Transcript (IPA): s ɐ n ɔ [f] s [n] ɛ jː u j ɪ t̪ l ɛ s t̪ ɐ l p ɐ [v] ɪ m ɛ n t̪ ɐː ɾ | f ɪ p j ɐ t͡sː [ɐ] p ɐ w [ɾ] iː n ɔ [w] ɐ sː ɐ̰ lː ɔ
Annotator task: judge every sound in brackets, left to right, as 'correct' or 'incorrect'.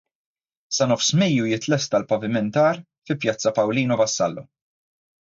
correct, incorrect: m, correct, correct, incorrect: l, incorrect: v

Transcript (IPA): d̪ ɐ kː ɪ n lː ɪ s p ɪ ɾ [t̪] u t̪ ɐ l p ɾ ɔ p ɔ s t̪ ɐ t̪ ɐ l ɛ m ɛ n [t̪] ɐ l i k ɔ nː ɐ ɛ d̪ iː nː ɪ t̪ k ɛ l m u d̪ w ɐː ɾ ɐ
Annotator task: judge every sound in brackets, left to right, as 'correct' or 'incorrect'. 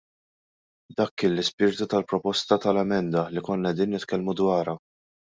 correct, incorrect: d̪

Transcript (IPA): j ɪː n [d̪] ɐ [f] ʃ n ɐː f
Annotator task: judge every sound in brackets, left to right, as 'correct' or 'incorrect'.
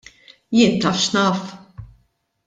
incorrect: t̪, correct

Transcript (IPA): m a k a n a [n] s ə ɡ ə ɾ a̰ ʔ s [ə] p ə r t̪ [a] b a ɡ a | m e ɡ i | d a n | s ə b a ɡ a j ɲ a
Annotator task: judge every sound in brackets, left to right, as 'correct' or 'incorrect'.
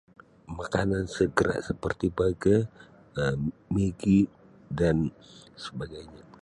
correct, correct, incorrect: i

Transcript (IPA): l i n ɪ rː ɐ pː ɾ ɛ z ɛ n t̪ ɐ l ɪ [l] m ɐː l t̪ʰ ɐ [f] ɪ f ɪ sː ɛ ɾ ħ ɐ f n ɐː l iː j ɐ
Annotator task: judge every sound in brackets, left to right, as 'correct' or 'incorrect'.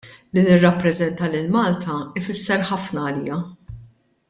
correct, incorrect: none

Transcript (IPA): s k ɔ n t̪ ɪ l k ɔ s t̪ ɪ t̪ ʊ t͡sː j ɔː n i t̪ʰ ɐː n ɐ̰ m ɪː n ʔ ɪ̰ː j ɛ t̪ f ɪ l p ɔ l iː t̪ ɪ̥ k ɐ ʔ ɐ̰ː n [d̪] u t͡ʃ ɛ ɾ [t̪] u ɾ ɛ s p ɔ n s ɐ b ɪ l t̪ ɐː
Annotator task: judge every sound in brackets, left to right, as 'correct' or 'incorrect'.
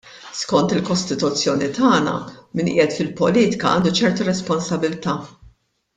correct, correct

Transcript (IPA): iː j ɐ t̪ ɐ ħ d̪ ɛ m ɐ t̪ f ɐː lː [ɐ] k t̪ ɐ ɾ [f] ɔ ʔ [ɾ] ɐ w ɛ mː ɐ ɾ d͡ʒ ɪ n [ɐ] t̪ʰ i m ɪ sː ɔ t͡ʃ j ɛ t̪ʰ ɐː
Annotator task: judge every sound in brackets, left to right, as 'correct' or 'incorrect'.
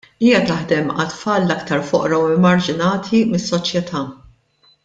correct, correct, correct, incorrect: ɐː

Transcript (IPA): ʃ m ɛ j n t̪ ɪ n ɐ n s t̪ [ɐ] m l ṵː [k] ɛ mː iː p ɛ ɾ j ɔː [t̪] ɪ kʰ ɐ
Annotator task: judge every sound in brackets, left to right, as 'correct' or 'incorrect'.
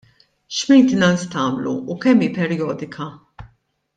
incorrect: ɐː, correct, incorrect: d̪

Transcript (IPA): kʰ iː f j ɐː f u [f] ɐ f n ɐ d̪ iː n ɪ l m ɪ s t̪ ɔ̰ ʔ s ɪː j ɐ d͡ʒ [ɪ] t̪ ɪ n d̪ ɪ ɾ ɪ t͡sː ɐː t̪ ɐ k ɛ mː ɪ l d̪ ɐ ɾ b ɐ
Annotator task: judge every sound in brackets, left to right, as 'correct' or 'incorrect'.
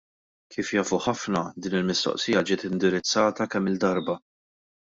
incorrect: ħ, incorrect: ɪː

